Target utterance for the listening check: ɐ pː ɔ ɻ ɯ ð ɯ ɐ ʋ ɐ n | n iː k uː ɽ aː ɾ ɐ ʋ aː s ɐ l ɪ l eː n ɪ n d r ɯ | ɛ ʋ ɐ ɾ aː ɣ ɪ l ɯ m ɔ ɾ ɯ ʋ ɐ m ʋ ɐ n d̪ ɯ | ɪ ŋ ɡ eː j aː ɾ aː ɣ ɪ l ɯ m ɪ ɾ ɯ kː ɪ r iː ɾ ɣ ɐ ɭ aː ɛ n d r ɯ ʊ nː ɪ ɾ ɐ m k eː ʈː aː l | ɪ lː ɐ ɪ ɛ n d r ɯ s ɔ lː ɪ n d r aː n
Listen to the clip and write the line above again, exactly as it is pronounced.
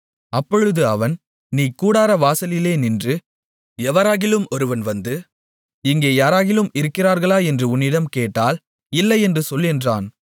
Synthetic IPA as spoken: ɐ pː ɔ ɻ ɯ ð ɯ ɐ ʋ ɐ n | n iː k uː ɽ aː ɾ ɐ ʋ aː s ɐ l ɪ l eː n ɪ n d r ɯ | ɛ ʋ ɐ ɾ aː ɣ ɪ l ɯ m ɔ ɾ ɯ ʋ ɐ n ʋ ɐ n d̪ ɯ | ɪ ŋ ɡ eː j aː ɾ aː ɣ ɪ l ɯ m ɪ ɾ ɯ kː ɪ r aː ɾ ɣ ɐ ɭ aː ɛ n d r ɯ ʊ nː ɪ ɽ ɐ m k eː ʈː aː l | ɪ lː ɐ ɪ ɛ n d r ɯ s ɔ lː ɪ n d r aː n